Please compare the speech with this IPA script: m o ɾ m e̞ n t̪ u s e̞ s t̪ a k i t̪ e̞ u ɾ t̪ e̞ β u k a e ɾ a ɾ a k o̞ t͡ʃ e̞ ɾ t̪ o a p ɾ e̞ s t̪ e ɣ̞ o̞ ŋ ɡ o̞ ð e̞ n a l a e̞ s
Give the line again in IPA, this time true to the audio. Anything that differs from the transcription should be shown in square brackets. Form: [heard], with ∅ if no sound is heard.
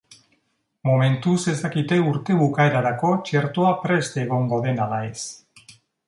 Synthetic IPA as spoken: m o [∅] m e̞ n t̪ u s e̞ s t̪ a k i t̪ e̞ u ɾ t̪ e̞ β u k a e ɾ a ɾ a k o̞ t͡ʃ e̞ ɾ t̪ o a p ɾ e̞ s t̪ e ɣ̞ o̞ ŋ ɡ o̞ ð e̞ n a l a e̞ s